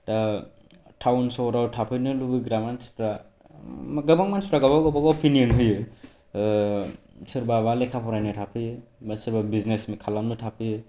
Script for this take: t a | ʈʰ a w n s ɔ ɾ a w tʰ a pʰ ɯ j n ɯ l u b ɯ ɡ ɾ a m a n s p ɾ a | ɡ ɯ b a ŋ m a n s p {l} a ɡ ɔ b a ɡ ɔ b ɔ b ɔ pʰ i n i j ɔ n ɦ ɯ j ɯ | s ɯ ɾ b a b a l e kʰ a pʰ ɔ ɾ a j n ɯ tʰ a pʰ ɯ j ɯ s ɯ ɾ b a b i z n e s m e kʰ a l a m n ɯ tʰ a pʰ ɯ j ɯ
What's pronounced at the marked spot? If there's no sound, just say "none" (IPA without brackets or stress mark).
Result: ɾ